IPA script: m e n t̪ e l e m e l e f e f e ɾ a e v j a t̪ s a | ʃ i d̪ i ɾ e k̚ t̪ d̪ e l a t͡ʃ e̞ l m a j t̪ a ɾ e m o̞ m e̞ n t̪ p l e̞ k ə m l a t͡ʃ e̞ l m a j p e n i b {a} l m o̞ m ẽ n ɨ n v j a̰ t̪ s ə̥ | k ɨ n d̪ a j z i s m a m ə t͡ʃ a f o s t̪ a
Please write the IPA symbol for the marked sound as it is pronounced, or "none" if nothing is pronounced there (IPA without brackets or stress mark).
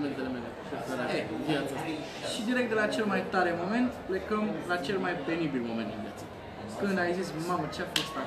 i